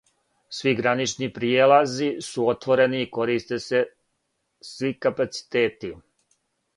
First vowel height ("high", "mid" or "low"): high